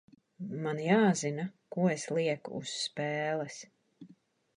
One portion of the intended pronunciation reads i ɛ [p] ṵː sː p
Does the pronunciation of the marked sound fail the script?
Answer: yes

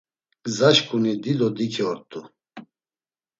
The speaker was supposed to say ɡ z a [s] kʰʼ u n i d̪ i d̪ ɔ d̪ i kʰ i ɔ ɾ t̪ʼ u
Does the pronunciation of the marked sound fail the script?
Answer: yes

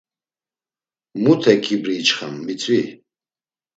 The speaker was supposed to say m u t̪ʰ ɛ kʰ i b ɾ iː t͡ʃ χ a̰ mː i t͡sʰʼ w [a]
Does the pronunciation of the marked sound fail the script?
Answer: yes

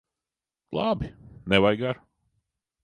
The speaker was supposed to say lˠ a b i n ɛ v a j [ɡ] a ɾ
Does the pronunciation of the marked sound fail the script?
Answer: no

